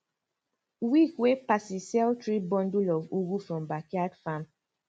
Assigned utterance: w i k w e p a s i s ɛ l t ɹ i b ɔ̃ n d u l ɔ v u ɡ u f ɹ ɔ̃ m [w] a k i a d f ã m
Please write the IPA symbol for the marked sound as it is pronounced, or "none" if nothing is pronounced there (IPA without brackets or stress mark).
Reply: b